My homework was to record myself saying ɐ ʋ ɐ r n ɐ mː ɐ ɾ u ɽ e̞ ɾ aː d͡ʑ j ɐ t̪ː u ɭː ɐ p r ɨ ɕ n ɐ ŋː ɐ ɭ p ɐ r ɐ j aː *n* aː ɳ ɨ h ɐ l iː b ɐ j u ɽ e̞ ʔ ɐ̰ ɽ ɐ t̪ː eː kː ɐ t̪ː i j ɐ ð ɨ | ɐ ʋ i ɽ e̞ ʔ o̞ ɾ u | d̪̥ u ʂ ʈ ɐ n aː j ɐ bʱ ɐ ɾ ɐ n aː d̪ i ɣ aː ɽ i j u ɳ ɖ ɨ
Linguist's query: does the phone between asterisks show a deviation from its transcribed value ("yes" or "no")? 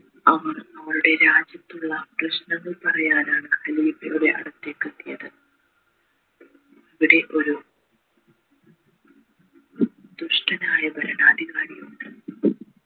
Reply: no